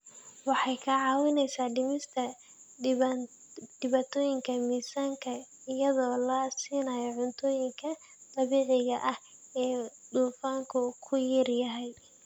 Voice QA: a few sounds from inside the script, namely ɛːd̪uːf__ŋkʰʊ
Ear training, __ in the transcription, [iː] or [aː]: aː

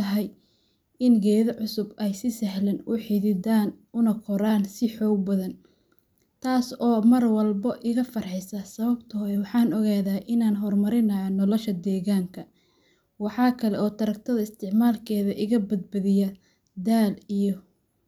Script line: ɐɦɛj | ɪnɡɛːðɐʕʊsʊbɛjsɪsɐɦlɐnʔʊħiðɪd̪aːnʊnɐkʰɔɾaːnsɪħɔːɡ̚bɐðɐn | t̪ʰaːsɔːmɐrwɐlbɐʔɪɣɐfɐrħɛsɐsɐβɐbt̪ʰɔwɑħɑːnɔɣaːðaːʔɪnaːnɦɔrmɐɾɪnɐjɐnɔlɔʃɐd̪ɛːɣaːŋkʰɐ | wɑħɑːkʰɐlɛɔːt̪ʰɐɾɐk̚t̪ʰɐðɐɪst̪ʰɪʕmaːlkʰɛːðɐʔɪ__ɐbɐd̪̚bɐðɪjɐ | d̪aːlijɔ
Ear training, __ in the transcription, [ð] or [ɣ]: ɣ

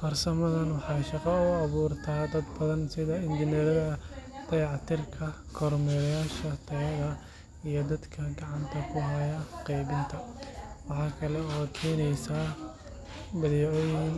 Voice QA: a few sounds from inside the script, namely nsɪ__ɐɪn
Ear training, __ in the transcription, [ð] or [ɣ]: ð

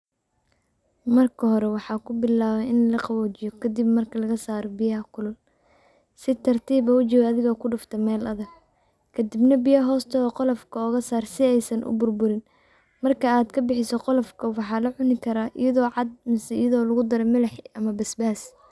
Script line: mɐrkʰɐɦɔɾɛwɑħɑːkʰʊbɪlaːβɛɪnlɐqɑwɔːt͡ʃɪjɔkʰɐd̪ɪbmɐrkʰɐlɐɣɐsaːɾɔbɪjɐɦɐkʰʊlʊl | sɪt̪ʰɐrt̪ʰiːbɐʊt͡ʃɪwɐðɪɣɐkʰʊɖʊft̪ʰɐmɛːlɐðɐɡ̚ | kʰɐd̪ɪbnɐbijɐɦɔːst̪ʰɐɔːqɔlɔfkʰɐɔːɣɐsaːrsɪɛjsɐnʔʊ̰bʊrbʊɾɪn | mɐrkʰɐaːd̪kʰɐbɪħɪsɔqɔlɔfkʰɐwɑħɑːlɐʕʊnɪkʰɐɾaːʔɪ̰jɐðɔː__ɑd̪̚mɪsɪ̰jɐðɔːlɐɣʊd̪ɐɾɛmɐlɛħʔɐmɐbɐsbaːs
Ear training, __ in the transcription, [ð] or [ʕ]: ʕ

